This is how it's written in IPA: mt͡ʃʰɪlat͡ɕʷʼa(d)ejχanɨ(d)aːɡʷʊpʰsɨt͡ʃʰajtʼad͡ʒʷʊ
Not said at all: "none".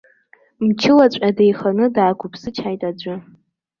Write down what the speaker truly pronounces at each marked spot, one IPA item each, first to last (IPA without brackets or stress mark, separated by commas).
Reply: d, d